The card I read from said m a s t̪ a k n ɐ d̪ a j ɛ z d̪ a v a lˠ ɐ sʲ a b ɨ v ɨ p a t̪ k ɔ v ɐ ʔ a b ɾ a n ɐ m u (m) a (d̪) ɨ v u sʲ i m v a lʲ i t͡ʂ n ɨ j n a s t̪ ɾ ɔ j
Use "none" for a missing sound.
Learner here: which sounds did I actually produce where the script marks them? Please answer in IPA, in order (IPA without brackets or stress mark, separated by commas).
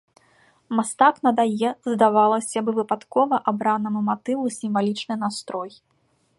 m, t̪